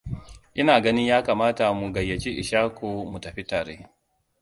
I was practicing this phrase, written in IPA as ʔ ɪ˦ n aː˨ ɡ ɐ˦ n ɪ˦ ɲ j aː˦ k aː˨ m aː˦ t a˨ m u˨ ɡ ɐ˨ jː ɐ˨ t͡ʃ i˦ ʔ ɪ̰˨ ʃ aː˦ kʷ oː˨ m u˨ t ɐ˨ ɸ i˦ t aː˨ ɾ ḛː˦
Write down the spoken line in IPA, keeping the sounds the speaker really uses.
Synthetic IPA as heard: ʔ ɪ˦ n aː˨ ɡ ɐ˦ n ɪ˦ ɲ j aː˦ k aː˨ m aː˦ t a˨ m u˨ ɡ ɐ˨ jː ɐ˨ t͡ʃ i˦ ʔ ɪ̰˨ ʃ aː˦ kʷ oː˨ m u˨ t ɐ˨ ɸ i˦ t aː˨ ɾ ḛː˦